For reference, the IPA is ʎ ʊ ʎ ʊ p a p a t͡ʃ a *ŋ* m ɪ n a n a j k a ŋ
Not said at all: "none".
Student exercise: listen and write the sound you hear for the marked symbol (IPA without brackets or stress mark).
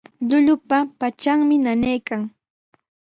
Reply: ŋ